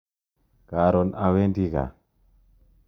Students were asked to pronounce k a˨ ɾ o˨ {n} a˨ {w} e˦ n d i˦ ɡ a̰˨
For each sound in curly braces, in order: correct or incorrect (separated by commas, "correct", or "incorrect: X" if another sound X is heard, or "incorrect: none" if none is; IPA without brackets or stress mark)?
correct, correct